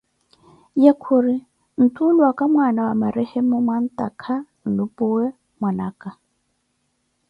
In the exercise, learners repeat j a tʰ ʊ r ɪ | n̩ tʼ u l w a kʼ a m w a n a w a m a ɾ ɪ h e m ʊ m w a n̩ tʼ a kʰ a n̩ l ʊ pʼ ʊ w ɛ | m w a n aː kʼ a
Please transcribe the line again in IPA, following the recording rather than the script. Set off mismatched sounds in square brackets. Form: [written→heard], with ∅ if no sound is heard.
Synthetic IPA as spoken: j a [tʰ→kʰ] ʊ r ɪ | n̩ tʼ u l w a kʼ a m w a n a w a m a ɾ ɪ h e m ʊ m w a n̩ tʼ a kʰ a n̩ l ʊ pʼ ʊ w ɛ | m w a n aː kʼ a